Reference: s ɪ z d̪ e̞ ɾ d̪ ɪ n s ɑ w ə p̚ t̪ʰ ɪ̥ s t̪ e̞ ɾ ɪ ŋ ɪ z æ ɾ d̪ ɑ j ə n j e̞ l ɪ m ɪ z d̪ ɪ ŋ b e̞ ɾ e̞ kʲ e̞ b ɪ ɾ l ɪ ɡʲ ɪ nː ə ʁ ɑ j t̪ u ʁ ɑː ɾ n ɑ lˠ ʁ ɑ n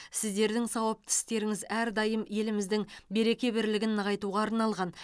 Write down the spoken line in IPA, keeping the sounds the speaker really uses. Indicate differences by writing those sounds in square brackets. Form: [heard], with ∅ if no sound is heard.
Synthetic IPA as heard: s ɪ z d̪ e̞ ɾ d̪ ɪ [ŋ] s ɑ w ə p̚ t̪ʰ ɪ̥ s t̪ e̞ ɾ ɪ ŋ ɪ z æ ɾ d̪ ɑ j ə [m] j e̞ l ɪ m ɪ z d̪ ɪ ŋ b e̞ ɾ e̞ kʲ e̞ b ɪ ɾ l ɪ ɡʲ ɪ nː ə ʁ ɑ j t̪ u ʁ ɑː ɾ n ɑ lˠ ʁ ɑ n